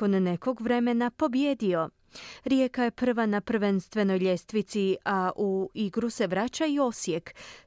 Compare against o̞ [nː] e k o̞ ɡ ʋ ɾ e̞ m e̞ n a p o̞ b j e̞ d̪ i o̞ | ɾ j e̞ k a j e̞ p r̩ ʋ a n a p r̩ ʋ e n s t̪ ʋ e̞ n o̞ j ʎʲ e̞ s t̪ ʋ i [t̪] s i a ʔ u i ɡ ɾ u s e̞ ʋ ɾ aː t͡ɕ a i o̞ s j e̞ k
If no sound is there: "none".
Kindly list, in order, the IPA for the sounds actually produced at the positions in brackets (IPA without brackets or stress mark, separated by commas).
nː, t̪